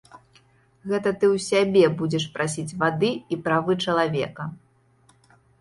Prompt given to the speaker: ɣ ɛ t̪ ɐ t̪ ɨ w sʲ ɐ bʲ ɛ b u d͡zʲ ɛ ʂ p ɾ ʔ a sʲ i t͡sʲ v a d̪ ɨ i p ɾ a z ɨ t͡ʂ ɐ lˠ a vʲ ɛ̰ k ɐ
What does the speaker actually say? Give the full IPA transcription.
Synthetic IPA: ɣ ɛ t̪ ɐ t̪ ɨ w sʲ a bʲ ɛ b u d͡zʲ ɛ ʂ p ɾ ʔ a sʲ i t͡sʲ v a d̪ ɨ i p ɾ a v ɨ t͡ʂ ɐ lˠ a vʲ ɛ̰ k ɐ